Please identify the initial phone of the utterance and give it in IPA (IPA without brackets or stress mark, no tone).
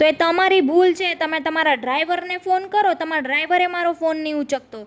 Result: t̪